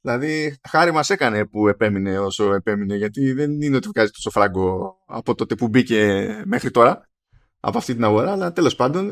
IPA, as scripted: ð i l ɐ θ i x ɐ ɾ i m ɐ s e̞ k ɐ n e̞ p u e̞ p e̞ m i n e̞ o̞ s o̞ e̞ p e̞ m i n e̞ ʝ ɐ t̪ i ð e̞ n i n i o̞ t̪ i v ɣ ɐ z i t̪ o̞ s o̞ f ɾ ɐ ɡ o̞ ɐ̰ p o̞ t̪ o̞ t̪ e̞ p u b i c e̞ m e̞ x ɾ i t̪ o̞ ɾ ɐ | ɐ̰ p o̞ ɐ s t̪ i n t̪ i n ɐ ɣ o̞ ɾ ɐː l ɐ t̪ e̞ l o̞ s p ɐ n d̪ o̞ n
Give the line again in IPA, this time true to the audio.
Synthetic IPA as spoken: ð i l ɐ ð i x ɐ ɾ i m ɐ s e̞ k ɐ n e̞ p u e̞ p e̞ m i n e̞ o̞ s o̞ e̞ p e̞ m i n e̞ ʝ ɐ t̪ i ð e̞ n i n e o̞ t̪ i v ɣ ɐ z i t̪ o̞ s o̞ f ɾ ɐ ɡ o̞ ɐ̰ p o̞ t̪ o̞ t̪ e̞ p u b i c e̞ m e̞ x ɾ i t̪ o̞ ɾ ɐ | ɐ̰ p o̞ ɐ f t̪ i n t̪ i n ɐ ɣ o̞ ɾ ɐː l ɐ t̪ e̞ l o̞ s p ɐ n d̪ o̞ n